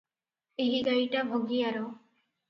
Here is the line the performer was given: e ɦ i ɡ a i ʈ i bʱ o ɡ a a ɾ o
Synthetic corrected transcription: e ɦ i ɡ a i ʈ a bʱ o ɡ i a ɾ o